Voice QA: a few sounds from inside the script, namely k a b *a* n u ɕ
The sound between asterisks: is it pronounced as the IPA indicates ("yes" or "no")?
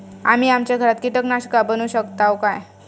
no